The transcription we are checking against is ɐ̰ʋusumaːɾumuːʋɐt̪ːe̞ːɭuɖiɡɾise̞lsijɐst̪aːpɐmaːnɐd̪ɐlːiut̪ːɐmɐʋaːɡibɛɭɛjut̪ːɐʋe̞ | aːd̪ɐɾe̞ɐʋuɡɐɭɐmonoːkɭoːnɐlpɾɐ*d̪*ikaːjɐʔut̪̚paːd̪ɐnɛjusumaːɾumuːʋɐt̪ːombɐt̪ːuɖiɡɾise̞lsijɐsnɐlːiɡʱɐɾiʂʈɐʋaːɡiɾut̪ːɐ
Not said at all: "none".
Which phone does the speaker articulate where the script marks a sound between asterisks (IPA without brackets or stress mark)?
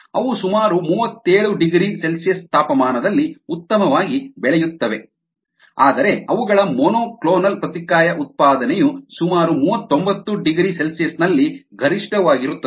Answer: t̪